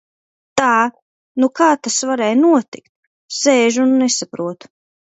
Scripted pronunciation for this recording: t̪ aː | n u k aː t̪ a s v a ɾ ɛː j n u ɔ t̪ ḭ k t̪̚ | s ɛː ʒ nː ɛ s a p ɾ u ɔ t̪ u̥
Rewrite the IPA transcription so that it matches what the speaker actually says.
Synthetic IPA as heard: t̪ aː | n u k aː t̪ a s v a ɾ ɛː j n u ɔ t̪ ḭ k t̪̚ | s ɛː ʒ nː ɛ s a p ɾ u ɔ t̪ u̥